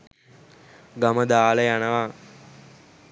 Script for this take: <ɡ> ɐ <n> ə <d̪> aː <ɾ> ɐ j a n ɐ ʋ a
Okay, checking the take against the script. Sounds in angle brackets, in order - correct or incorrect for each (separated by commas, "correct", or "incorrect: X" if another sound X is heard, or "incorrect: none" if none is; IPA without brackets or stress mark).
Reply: correct, incorrect: m, correct, incorrect: l